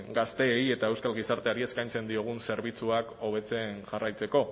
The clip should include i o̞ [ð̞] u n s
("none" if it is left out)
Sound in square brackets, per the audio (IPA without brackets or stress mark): ɣ̞